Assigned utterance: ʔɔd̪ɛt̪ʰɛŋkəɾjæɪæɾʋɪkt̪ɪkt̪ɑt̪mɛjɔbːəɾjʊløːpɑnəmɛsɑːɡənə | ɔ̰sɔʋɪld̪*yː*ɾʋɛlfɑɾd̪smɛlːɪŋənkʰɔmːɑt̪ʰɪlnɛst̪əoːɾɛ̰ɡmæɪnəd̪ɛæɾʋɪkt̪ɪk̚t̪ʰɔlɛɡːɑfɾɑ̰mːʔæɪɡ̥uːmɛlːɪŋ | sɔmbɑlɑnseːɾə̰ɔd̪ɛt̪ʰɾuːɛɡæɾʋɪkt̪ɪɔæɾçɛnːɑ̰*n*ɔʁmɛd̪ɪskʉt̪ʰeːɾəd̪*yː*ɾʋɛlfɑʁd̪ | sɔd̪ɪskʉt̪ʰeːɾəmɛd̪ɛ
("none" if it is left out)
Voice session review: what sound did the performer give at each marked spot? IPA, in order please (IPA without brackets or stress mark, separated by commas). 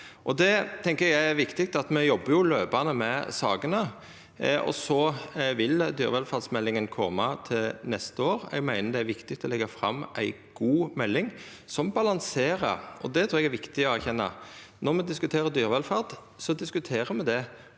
yː, n, yː